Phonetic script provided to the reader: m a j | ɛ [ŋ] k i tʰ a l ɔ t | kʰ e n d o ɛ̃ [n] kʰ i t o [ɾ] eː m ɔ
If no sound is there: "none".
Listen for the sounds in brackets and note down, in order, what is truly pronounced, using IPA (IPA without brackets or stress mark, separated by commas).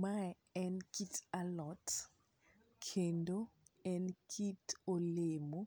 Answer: n, n, l